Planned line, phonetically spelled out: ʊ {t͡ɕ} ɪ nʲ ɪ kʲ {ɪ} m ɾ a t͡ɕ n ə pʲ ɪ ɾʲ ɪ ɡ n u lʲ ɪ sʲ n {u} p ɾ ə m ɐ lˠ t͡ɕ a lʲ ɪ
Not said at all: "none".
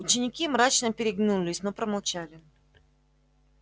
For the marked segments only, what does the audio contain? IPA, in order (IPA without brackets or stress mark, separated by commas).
t͡ɕ, i, o